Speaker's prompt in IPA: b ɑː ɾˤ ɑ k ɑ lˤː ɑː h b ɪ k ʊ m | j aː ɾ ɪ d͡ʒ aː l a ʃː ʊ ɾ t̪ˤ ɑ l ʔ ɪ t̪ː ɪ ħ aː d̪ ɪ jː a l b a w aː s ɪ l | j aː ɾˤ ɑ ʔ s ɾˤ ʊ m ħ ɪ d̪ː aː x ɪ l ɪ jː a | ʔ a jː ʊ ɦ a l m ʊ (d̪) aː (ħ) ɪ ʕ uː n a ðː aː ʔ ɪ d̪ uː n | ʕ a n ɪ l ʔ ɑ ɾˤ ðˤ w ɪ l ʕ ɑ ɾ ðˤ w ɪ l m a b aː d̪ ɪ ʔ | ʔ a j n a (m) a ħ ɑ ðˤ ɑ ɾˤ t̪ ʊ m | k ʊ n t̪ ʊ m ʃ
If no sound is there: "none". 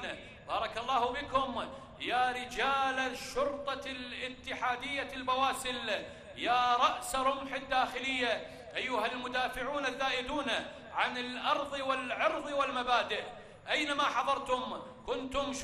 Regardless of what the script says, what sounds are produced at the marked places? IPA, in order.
d̪, f, m

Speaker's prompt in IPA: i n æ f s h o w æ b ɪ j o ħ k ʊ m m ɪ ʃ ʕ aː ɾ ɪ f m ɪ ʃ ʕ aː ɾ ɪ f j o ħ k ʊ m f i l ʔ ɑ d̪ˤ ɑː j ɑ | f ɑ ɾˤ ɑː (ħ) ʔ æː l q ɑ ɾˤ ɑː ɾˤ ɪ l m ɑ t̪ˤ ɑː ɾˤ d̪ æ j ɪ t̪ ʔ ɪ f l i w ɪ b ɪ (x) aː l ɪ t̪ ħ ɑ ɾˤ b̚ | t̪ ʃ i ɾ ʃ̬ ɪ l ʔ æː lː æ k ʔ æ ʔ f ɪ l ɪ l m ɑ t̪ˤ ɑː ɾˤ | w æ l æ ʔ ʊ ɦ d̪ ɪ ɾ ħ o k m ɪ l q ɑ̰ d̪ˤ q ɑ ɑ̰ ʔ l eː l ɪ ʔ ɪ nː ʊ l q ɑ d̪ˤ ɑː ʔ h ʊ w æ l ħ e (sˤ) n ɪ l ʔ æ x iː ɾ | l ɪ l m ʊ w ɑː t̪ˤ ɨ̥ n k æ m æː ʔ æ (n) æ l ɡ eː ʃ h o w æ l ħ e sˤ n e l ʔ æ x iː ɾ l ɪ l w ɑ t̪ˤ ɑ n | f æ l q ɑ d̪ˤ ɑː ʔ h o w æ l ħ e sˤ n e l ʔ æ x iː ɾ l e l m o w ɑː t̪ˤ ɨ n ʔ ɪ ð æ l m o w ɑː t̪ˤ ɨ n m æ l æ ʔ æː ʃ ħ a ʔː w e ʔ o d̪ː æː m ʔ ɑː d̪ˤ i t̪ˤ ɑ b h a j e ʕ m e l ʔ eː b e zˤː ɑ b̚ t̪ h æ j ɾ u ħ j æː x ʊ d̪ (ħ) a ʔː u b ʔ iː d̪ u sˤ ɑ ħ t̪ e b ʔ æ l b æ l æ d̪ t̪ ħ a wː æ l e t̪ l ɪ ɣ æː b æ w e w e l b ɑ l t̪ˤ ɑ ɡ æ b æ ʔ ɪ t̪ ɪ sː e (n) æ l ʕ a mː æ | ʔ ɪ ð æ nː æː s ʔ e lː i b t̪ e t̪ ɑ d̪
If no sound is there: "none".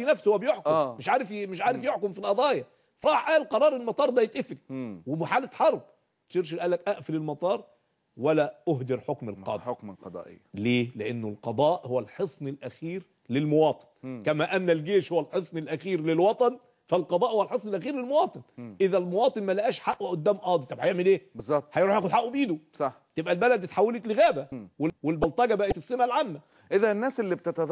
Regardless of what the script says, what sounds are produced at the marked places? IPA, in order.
ħ, ħ, sˤ, nː, ħ, m

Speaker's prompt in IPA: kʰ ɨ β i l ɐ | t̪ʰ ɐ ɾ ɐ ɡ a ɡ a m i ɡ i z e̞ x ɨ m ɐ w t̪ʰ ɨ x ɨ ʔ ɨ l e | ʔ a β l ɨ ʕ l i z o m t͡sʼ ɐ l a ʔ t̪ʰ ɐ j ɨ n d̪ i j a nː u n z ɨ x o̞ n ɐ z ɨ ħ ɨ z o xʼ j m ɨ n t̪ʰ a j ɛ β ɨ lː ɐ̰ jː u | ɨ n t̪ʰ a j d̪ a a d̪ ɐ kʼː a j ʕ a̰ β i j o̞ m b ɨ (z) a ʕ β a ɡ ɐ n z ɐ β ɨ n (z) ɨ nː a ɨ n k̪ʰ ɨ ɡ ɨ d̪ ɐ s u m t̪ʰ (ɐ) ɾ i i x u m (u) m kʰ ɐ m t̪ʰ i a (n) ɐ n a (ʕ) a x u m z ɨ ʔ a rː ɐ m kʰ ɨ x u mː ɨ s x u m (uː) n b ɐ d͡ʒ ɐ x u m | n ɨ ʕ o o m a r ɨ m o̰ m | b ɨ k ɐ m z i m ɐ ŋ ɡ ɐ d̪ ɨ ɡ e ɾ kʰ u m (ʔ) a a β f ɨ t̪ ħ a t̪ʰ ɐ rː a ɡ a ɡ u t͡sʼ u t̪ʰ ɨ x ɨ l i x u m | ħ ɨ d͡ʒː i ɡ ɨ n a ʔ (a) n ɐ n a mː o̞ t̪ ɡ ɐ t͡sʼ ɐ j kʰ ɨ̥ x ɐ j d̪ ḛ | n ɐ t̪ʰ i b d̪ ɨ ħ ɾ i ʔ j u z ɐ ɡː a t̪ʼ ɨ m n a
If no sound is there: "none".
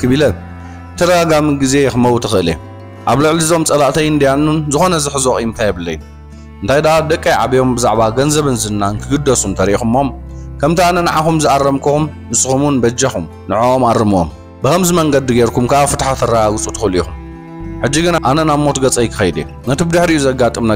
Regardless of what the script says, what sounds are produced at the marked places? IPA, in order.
z, z, ɐ, o, n, ʕ, u, k, a

